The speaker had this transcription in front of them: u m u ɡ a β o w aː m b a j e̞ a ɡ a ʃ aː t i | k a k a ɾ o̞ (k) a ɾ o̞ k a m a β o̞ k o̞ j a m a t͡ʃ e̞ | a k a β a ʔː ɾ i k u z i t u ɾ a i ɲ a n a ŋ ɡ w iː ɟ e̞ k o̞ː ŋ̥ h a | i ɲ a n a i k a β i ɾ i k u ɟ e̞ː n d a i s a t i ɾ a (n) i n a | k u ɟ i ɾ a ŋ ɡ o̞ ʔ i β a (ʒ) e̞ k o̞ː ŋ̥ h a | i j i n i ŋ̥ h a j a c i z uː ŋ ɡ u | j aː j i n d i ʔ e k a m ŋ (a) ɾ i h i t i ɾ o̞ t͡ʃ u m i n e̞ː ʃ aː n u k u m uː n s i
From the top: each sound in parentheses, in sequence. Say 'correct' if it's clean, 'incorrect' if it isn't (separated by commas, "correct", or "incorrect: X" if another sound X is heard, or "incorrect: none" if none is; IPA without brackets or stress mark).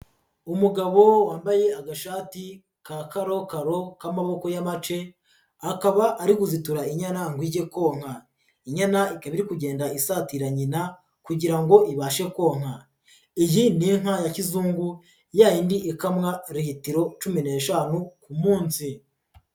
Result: correct, incorrect: ɲ, incorrect: ʃ, correct